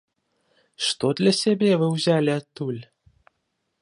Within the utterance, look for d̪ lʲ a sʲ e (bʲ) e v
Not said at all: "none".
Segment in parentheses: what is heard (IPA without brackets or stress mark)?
bʲ